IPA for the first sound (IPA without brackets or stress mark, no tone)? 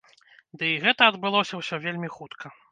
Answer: d̪